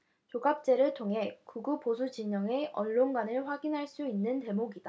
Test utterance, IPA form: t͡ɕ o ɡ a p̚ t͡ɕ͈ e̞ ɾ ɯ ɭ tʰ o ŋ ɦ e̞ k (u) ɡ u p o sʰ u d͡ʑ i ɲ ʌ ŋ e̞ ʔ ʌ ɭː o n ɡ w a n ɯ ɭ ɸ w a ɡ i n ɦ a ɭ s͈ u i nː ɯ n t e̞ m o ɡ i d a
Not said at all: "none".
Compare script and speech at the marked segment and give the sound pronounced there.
u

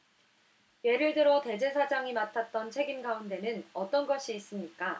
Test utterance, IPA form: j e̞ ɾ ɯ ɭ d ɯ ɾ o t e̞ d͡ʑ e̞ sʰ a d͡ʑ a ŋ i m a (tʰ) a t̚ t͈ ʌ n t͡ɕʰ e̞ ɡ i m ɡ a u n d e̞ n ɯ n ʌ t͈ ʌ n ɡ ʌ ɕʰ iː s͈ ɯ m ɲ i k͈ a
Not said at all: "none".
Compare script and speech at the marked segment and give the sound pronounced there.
tʰ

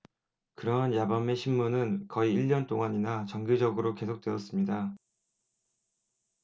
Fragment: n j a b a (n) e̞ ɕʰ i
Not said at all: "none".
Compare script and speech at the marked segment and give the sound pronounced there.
m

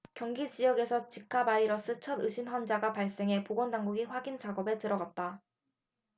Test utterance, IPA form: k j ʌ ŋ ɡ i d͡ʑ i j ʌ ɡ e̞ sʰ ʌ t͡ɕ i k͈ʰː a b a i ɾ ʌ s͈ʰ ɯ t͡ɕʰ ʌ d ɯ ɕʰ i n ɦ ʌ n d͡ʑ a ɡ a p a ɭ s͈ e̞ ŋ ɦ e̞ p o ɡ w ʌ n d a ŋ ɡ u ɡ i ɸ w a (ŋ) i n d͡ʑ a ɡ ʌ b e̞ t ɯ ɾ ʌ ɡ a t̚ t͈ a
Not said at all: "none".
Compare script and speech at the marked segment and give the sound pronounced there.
ɡ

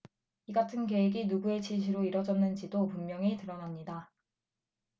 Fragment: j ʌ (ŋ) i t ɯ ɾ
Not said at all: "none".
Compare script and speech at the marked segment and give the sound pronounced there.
ŋ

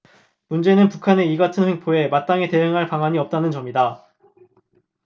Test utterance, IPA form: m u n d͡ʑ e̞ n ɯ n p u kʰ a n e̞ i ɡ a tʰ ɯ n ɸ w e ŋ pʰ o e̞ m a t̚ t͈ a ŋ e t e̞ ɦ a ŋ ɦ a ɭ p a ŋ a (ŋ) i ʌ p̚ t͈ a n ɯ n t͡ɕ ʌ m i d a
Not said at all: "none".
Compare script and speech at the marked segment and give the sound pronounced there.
ɲ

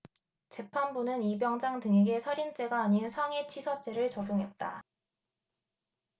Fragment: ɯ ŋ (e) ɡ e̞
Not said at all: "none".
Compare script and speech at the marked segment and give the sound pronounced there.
e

